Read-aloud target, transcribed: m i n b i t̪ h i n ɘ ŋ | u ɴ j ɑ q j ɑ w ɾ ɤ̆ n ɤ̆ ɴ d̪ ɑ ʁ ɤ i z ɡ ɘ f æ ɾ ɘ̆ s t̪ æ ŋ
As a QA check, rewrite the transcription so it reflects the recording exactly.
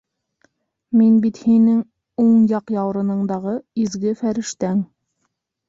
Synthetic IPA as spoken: m i n b i t̪ h i n ɘ ŋ | u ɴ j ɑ q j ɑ w ɾ ɤ̆ n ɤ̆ ɴ d̪ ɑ ʁ ɤ i z ɡ ɘ f æ ɾ ɘ̆ ʃ t̪ æ ŋ